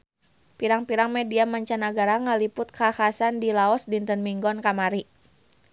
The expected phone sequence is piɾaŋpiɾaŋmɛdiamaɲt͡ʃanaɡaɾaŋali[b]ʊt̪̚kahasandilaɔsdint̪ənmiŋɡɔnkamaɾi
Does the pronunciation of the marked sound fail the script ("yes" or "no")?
yes